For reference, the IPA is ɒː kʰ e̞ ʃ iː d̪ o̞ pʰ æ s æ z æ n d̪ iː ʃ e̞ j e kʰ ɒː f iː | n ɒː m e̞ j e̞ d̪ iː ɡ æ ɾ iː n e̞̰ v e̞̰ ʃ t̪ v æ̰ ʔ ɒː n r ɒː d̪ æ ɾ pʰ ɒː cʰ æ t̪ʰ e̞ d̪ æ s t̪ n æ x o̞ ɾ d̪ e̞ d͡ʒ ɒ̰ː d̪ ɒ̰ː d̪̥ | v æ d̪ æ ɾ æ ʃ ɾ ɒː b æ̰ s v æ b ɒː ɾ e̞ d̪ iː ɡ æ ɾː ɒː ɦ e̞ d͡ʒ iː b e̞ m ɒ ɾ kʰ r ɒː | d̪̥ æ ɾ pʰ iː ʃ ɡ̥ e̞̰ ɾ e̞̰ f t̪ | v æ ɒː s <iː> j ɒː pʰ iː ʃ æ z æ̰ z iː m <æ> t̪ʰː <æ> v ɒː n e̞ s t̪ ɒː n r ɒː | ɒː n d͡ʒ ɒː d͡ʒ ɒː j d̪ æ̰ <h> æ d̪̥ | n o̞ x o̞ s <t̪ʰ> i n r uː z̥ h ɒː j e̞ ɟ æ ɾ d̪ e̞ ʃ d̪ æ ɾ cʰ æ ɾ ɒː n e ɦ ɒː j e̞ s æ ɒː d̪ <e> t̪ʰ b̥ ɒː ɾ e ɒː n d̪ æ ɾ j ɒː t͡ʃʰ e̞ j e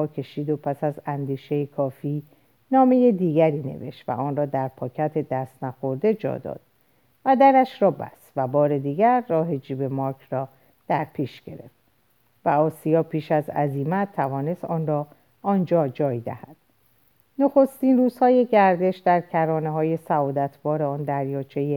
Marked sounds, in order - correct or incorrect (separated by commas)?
incorrect, correct, correct, correct, incorrect, incorrect